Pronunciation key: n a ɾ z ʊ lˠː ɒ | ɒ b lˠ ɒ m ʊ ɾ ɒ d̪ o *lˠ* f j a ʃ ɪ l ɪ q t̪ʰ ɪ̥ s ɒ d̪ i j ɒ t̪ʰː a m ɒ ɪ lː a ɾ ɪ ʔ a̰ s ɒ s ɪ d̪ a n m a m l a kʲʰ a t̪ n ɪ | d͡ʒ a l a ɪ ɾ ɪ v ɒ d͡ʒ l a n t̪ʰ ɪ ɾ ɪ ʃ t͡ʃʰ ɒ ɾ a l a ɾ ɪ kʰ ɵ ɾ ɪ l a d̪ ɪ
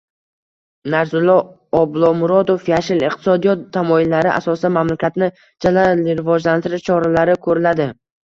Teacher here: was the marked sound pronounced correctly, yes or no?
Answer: no